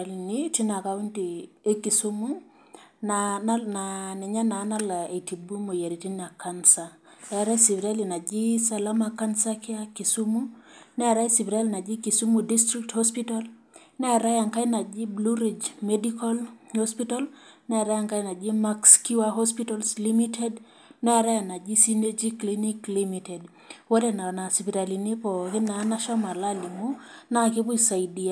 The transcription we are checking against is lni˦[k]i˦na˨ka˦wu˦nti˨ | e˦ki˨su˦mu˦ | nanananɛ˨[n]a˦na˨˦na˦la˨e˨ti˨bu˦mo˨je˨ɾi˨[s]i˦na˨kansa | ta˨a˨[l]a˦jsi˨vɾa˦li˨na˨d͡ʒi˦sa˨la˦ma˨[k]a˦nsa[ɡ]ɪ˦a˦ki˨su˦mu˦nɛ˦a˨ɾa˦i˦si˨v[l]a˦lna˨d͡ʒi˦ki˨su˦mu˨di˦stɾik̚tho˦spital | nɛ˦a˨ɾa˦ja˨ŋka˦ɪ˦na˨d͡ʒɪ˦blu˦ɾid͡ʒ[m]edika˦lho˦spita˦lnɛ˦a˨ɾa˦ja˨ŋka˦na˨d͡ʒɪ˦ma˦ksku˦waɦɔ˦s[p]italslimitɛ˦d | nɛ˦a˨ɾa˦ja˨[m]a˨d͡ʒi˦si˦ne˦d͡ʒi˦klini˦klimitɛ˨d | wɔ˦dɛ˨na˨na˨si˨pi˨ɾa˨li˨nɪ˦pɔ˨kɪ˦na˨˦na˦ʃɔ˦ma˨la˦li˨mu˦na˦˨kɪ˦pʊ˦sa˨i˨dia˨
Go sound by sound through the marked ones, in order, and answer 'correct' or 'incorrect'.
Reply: incorrect: t, incorrect: ɲ, incorrect: t, incorrect: ɾ, correct, incorrect: k, incorrect: ɾ, correct, correct, incorrect: n

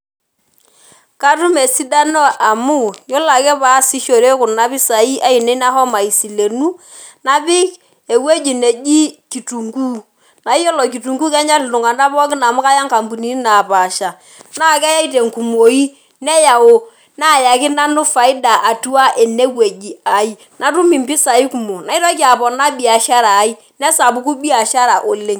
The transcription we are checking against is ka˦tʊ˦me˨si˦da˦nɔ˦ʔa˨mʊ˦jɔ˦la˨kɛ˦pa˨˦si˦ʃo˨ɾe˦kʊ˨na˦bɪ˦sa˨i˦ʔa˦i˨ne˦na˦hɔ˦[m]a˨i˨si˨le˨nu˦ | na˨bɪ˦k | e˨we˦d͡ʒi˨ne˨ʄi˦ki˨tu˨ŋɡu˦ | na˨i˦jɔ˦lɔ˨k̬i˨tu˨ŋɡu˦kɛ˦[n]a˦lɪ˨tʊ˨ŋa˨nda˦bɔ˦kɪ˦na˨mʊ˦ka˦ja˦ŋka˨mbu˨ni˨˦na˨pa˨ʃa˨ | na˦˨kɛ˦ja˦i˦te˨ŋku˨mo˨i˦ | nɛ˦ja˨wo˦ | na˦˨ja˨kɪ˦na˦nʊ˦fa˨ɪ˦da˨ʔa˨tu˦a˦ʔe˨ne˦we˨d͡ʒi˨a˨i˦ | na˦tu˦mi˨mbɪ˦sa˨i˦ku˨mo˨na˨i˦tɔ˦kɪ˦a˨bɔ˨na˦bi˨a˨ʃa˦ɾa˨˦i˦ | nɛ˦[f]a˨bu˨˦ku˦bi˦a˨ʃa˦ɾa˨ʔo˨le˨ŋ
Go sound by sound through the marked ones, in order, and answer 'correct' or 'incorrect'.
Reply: correct, incorrect: ɲ, incorrect: s

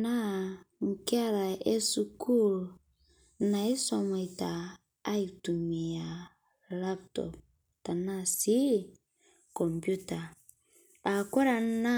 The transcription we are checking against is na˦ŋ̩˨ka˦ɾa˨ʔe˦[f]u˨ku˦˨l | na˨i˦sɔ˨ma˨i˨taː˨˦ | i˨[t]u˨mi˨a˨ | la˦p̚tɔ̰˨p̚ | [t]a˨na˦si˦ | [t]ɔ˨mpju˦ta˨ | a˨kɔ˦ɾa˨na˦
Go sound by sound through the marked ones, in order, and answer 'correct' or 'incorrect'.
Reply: incorrect: s, correct, correct, incorrect: k

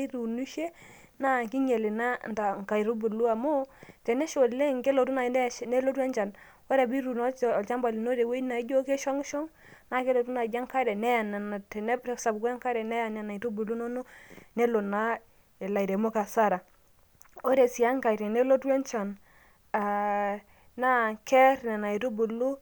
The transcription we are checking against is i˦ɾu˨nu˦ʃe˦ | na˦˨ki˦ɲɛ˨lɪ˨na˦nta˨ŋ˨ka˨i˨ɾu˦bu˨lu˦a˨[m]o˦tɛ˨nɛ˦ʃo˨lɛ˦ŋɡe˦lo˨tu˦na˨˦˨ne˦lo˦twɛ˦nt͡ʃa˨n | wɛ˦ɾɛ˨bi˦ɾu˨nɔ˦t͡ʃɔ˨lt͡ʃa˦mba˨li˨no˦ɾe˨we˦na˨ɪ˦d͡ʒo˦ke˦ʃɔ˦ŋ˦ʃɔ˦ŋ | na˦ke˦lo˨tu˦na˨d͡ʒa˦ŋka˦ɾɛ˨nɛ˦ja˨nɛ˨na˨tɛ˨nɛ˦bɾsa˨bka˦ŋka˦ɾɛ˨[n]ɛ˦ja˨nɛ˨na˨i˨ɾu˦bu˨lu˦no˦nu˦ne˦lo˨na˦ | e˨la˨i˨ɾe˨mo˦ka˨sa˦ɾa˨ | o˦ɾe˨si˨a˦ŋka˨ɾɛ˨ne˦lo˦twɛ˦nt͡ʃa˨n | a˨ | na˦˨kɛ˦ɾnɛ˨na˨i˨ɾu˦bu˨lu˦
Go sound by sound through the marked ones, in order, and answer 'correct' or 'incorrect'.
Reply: correct, correct

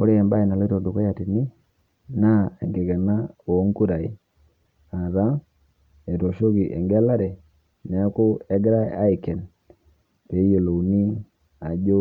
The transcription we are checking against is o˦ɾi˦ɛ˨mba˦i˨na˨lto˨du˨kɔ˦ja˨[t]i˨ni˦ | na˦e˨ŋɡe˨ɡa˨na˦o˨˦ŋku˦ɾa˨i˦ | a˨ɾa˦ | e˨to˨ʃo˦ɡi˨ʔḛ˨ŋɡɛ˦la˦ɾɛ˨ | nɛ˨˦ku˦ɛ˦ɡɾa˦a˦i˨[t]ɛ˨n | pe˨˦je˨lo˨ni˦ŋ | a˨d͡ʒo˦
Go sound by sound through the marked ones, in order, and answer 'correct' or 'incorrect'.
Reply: correct, incorrect: k

